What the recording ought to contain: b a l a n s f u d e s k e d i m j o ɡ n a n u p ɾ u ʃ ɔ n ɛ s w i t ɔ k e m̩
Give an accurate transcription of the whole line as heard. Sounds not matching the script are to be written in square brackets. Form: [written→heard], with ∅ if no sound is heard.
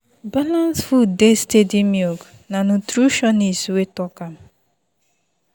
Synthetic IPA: b a l a n s f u d e s [k→t] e d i m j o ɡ n a n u [p→t] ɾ u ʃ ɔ n [ɛ→i] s w [i→e] t ɔ k [e→a] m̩

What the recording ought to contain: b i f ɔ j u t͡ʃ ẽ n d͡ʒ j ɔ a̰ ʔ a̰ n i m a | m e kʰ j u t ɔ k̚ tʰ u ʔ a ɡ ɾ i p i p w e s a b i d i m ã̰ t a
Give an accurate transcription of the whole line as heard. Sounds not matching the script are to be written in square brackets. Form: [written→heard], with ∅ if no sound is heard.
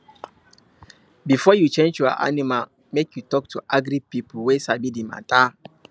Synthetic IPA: b i f ɔ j u t͡ʃ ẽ n d͡ʒ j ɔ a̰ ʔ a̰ n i m a | m e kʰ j u t ɔ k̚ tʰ u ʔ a ɡ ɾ i p i p w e s a b i d i m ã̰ t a

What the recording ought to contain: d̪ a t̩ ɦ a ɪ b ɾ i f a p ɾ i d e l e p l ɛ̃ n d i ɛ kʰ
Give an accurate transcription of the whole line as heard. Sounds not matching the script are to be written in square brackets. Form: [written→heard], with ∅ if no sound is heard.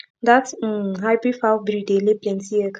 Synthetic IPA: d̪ a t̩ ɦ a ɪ b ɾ i f a [p→b] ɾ i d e l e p l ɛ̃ n [d→t] i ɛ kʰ

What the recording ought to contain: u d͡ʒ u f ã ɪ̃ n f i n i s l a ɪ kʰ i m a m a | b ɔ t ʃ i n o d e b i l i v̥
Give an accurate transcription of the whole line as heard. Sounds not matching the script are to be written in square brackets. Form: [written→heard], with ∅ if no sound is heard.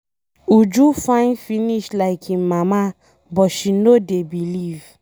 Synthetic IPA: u d͡ʒ u f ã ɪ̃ n f i n i [s→ʃ] l a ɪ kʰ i m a m a | b ɔ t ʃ i n o d e b i l i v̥

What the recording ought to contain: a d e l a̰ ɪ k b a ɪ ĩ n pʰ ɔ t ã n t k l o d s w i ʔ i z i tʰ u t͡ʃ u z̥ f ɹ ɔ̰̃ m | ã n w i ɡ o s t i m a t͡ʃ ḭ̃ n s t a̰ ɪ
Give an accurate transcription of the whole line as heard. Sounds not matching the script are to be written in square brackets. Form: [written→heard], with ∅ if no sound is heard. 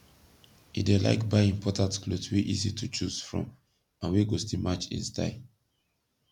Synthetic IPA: [a→i] d e l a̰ ɪ k b a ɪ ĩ [n→m] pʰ ɔ t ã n t k l o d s w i ʔ i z i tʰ u t͡ʃ u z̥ f ɹ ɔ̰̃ m | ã n w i ɡ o s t i m a t͡ʃ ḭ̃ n s t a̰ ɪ

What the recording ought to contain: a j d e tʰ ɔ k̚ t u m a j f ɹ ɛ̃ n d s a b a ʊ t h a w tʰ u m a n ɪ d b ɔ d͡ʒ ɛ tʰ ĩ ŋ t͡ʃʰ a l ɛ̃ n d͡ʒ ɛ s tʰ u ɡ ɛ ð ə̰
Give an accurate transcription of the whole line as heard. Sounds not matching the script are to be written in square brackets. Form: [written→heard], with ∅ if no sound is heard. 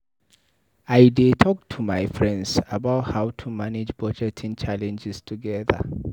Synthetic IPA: a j d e tʰ ɔ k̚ [t→tʰ] u m a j f ɹ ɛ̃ n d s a b a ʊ t h a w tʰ u m a n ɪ [d→d͡ʒ] b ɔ d͡ʒ ɛ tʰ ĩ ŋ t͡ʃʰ a l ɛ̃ n d͡ʒ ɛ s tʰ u ɡ ɛ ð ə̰

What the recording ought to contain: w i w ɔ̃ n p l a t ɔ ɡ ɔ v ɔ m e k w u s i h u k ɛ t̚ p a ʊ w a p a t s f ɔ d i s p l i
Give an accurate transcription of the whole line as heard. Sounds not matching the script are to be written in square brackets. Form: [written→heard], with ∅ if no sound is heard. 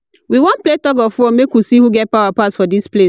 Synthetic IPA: w i w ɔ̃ n p l [a→e] t ɔ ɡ ɔ [v→f] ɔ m e k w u s i h u [k→ɡ] ɛ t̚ p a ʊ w a p a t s f ɔ d i s p l [i→e]

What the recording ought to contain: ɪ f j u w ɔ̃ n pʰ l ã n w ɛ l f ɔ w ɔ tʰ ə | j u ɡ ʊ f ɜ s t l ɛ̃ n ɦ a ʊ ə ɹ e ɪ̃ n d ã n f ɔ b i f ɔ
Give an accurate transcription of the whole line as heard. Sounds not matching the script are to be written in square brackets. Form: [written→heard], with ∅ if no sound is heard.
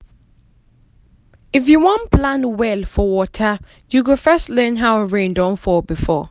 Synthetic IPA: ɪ f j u w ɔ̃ n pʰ l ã n w ɛ l f ɔ w ɔ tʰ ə | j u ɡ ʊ f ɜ s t l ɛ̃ n ɦ a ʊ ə ɹ [e→ẽ] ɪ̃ n d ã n f ɔ b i f ɔ

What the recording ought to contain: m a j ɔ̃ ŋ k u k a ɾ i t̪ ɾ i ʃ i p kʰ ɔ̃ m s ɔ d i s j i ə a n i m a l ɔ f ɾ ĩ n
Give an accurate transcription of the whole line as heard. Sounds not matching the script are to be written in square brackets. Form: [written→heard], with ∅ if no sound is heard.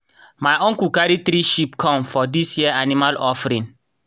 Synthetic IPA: m a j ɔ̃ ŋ k u k a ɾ i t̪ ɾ i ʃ i p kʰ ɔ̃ m [s→f] ɔ d i s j i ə a n i m a l ɔ f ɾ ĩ n

